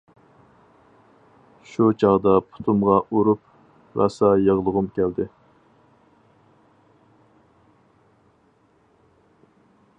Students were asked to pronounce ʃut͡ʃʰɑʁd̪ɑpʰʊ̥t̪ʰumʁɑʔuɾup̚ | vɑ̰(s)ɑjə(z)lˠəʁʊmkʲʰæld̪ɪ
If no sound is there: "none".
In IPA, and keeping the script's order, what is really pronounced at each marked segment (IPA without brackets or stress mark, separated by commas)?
s, ʁ